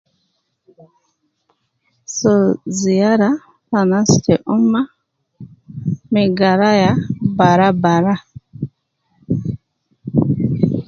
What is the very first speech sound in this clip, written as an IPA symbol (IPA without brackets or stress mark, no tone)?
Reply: s